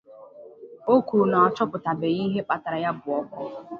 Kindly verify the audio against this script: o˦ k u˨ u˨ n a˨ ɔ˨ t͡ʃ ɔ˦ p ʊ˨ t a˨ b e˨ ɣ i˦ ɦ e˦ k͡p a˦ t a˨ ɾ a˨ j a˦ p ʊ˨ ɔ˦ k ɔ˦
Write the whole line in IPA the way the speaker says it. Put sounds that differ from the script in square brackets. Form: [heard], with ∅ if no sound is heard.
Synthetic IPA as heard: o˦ k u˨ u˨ n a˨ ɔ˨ t͡ʃ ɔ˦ p ʊ˨ t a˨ b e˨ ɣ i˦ ɦ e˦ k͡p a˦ t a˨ ɾ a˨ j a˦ [b] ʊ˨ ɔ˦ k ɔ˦